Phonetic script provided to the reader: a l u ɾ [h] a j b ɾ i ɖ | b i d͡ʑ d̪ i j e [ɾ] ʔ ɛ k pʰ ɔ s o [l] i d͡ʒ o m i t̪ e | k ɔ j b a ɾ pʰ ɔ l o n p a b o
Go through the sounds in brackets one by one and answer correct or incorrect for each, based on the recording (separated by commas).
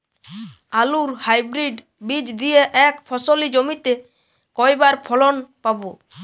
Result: correct, incorrect, correct